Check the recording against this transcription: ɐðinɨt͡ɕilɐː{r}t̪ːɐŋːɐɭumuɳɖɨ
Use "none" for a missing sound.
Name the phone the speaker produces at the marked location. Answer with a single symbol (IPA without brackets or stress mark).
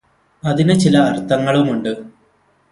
r